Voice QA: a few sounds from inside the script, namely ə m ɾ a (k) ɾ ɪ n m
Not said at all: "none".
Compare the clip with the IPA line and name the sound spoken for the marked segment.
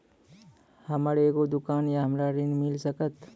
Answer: none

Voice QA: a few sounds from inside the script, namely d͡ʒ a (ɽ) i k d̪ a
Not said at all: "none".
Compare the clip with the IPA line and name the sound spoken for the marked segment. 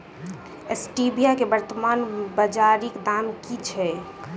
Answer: ɾ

